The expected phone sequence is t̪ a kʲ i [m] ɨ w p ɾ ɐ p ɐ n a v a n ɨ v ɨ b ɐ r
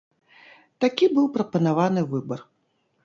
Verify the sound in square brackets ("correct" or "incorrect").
incorrect